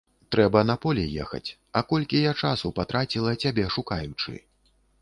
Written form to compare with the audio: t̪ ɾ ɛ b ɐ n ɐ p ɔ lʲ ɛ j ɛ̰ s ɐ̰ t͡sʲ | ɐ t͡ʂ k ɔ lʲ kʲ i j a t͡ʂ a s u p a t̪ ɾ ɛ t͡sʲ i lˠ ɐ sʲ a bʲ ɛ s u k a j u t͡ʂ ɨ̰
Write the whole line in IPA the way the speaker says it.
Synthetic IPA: t̪ ɾ ɛ b ɐ n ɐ p ɔ lʲ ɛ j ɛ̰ x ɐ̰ t͡sʲ | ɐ k ɔ lʲ kʲ i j a t͡ʂ a s u p a t̪ ɾ a t͡sʲ i lˠ ɐ t͡sʲ a bʲ ɛ ʂ u k a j u t͡ʂ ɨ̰